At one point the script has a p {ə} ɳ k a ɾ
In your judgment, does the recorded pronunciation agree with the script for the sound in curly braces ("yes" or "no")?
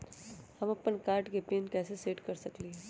yes